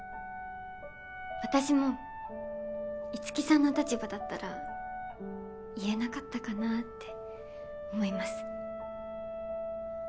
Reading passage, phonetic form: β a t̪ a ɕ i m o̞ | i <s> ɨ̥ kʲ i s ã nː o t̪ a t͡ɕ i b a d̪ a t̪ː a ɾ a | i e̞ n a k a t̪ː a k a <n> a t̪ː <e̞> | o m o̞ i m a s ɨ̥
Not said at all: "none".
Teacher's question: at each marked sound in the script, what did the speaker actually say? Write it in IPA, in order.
t͡s, n, e̞

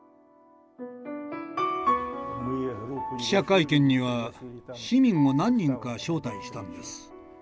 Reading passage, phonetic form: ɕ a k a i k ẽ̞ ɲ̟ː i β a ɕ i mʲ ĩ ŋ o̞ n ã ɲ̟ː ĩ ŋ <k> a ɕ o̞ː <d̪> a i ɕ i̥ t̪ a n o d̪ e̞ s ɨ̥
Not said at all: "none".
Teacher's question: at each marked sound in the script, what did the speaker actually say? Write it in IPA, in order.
k, t̪

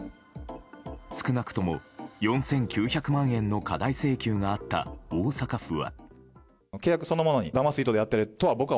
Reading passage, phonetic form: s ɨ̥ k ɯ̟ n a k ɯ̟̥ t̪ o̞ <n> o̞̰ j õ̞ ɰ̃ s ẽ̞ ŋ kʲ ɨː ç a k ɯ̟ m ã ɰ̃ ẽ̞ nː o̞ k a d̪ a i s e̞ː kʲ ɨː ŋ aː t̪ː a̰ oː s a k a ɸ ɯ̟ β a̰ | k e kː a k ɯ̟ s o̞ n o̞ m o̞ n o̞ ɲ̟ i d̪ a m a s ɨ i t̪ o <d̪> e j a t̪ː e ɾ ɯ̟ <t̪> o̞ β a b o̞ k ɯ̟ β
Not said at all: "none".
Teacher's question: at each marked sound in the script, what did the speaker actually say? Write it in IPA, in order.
m, d̪, t̪

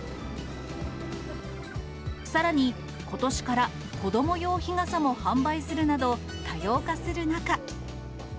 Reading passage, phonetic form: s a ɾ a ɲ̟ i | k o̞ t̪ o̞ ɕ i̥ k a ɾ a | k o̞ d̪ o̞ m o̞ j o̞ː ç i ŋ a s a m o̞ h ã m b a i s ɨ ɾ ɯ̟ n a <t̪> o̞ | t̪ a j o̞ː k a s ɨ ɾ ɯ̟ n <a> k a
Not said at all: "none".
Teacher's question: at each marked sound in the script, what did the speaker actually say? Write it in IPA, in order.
d̪, a

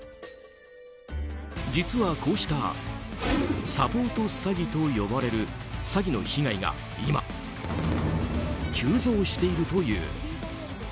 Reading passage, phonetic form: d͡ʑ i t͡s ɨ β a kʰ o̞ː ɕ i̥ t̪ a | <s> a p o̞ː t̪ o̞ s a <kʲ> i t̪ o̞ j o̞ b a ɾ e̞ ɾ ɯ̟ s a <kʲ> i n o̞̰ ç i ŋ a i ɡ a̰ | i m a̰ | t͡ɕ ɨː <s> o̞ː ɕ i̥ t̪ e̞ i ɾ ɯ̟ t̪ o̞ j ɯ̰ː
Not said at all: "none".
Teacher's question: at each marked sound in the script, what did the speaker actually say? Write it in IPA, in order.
s, ɡʲ, ɡʲ, z

